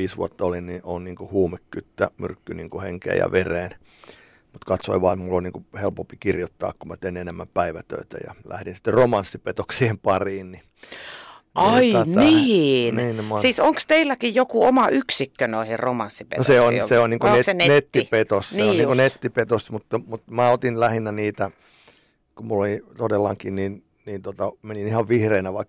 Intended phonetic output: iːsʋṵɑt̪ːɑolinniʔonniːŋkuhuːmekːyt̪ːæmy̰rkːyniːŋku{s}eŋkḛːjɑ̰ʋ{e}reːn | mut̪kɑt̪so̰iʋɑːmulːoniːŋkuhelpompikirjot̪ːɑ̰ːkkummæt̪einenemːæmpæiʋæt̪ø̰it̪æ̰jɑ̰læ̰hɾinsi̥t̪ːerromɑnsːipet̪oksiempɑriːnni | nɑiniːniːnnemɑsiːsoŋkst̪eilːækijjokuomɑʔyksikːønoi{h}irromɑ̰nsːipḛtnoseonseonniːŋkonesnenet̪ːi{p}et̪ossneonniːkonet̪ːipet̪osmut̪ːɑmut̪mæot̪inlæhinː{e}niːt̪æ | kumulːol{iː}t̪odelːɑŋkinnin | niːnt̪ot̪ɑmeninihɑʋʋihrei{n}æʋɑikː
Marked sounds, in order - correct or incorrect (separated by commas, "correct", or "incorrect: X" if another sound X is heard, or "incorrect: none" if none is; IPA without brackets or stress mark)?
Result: incorrect: h, correct, correct, correct, incorrect: æ, incorrect: i, correct